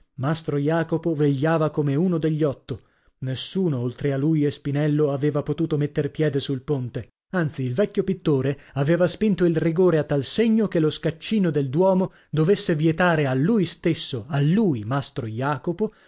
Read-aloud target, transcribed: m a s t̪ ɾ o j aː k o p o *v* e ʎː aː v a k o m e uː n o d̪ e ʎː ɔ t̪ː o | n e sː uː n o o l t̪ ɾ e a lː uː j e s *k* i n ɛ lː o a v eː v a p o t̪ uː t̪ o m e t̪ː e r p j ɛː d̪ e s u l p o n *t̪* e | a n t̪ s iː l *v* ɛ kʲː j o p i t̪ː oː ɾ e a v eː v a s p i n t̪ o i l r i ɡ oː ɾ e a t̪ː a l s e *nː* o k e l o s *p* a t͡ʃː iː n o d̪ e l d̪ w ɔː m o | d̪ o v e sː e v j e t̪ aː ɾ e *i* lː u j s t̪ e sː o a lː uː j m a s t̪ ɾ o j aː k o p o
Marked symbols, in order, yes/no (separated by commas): yes, no, yes, yes, no, no, no